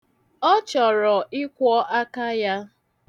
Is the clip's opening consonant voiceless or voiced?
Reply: voiceless